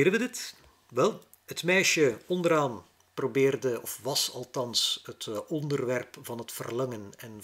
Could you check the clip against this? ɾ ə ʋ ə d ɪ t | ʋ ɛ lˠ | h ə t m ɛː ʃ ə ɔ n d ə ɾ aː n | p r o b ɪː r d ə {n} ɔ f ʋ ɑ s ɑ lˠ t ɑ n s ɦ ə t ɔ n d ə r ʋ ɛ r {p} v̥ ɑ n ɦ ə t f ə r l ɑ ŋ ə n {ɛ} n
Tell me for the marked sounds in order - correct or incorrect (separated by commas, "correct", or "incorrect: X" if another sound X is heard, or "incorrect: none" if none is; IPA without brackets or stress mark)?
incorrect: none, correct, correct